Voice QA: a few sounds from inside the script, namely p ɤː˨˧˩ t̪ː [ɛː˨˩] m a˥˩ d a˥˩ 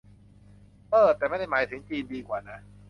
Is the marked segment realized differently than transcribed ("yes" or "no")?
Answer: no